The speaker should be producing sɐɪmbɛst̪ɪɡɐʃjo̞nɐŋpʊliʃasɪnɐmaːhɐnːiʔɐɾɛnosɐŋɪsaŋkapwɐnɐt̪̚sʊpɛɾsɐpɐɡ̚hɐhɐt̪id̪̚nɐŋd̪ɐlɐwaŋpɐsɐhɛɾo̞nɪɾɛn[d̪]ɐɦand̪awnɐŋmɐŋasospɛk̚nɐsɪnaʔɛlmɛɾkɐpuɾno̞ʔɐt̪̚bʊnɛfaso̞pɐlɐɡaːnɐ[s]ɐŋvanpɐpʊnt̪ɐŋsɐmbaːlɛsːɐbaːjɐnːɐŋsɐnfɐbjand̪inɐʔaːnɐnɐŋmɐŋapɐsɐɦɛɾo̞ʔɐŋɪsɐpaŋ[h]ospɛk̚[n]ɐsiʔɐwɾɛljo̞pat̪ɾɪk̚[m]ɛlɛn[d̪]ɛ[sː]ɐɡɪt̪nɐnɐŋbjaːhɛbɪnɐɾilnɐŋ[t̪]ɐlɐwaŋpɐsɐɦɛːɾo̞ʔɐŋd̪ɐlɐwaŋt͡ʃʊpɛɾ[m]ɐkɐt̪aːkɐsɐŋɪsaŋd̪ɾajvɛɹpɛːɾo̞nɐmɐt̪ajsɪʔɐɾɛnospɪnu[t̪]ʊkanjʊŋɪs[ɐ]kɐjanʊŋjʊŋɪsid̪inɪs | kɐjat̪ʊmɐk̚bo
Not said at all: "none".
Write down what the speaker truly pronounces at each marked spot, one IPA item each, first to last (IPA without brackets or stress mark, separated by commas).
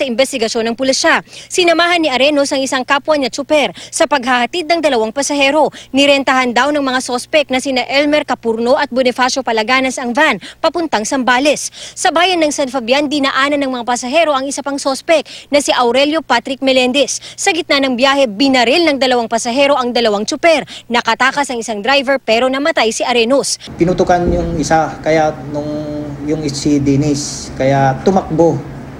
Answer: t̪, s, s, n, m, d̪, sː, d̪, n, t̪, a